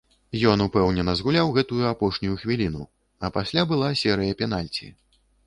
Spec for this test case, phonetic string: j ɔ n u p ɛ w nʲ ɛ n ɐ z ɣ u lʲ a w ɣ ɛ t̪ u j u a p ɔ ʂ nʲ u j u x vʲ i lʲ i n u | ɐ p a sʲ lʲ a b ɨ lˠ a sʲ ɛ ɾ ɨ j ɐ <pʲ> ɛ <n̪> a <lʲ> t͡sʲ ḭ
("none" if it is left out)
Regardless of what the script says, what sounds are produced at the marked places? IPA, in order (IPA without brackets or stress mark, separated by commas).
pʲ, n̪, lʲ